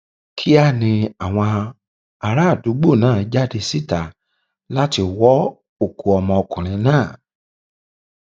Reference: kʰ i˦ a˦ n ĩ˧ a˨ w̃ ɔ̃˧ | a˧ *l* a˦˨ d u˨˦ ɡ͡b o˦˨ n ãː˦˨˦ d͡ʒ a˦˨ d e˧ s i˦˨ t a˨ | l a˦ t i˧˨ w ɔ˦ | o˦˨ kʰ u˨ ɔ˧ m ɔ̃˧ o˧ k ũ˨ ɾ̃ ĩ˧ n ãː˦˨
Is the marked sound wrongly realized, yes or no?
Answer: yes